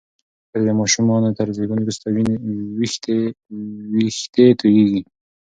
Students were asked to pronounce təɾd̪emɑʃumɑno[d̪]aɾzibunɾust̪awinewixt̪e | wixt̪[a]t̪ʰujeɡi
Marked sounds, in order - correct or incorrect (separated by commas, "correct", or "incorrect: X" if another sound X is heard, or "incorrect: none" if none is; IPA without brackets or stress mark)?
incorrect: t̪, incorrect: e